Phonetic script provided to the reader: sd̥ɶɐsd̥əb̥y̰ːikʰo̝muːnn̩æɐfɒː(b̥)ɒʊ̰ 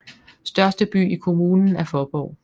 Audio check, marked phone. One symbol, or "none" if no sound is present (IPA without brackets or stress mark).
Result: b̥